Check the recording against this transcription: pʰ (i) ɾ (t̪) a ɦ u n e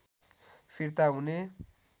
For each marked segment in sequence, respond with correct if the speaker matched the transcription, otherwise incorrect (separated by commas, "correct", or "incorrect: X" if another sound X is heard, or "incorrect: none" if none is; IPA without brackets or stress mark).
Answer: correct, correct